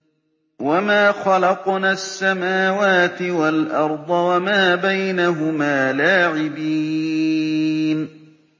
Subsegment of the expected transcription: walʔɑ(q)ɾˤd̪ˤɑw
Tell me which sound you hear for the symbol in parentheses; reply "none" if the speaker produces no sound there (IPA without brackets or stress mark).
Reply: none